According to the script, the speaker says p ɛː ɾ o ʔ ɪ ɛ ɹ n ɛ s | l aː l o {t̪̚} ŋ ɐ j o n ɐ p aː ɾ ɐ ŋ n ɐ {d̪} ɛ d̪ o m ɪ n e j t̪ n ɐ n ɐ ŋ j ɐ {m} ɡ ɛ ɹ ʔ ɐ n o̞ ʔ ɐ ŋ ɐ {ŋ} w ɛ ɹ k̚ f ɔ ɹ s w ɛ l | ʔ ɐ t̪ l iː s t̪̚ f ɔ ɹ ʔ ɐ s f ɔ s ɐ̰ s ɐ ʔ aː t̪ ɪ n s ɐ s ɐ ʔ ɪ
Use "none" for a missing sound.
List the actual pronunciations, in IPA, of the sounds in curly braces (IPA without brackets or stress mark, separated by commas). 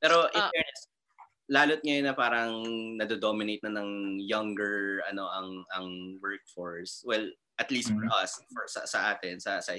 t̪̚, d̪, ŋ, ŋ